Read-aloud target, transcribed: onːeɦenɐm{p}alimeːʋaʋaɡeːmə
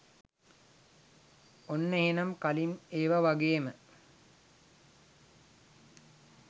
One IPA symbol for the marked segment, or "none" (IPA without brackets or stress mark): k